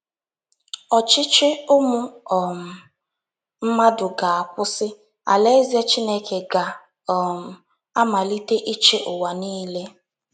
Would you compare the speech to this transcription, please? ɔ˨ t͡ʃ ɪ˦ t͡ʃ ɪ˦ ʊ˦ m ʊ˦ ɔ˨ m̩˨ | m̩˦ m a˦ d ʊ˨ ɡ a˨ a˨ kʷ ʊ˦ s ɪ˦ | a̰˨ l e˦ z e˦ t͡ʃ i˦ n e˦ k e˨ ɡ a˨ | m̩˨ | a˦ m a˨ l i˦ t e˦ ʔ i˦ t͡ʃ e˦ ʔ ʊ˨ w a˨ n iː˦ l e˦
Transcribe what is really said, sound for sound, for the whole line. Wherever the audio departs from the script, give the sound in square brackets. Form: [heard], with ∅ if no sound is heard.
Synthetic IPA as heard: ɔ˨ t͡ʃ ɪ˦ t͡ʃ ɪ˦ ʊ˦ m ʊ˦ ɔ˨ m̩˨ | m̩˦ m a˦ d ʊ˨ ɡ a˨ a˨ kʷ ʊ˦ s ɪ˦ | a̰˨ l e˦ z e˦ t͡ʃ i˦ n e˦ k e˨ ɡ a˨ | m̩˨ | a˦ m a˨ l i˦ t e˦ ʔ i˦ t͡ʃ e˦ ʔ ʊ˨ w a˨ n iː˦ l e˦

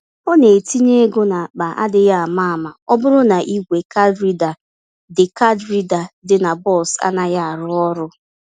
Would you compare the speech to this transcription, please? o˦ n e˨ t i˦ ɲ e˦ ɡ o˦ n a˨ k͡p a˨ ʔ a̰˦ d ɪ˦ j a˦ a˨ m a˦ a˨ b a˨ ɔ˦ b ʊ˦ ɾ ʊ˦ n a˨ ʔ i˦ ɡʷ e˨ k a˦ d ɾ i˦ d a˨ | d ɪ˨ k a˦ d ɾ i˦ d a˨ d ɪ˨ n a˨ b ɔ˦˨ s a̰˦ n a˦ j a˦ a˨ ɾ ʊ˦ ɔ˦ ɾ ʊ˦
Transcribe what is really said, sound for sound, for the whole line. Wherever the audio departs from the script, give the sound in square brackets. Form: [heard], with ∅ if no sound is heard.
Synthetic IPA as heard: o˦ n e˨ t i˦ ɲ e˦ ɡ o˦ n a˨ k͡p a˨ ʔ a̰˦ d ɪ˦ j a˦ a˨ m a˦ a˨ [m] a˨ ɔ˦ b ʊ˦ ɾ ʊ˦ n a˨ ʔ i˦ ɡʷ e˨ k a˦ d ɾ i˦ d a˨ | d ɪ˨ k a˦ d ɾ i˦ d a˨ d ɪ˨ n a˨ b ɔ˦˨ s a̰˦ n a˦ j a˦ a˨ ɾ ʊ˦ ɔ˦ ɾ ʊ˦

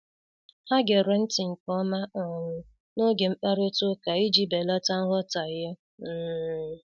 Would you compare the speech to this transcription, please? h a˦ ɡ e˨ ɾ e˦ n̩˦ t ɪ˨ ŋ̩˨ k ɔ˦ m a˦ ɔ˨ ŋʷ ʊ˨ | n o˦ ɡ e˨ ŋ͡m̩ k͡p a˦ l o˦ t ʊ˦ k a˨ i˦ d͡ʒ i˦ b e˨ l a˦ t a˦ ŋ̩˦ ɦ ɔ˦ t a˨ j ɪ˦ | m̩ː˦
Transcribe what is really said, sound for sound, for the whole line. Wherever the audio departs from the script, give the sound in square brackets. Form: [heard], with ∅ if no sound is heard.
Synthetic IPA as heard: h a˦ ɡ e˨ ɾ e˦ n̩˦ t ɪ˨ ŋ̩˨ k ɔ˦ m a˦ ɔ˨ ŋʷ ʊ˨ | n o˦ ɡ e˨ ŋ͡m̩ k͡p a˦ [ɾ] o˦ t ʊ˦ k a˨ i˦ d͡ʒ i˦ b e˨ l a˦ t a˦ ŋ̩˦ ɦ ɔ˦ t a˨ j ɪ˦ | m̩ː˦

